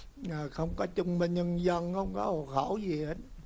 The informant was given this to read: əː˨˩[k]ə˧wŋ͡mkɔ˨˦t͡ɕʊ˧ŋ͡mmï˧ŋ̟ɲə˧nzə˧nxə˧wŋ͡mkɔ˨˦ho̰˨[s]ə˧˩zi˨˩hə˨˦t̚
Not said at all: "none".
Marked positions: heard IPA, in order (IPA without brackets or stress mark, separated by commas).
x, x